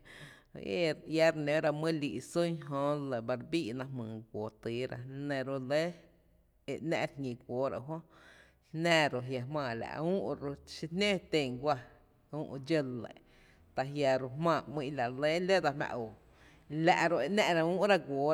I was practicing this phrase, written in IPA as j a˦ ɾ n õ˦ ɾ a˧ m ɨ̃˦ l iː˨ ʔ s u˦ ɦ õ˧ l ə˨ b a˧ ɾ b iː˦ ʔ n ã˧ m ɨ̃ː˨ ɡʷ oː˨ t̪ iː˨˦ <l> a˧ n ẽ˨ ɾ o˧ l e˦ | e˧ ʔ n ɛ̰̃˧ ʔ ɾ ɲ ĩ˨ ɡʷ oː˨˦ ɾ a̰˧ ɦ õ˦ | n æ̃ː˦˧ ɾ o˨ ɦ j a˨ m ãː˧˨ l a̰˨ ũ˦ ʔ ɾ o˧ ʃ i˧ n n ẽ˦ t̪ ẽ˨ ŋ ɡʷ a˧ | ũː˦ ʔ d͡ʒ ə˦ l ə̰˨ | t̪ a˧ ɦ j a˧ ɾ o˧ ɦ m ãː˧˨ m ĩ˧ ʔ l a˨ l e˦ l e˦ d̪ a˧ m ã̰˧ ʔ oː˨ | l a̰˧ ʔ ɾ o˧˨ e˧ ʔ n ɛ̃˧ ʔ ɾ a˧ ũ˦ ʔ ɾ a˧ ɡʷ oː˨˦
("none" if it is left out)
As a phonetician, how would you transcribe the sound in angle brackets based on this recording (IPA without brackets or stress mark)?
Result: ɾ